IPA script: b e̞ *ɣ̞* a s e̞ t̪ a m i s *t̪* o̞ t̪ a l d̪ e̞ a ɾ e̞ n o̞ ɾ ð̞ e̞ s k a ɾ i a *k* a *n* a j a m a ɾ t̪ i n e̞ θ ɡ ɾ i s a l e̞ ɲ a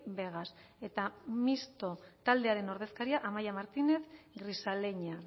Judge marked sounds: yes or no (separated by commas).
yes, yes, no, no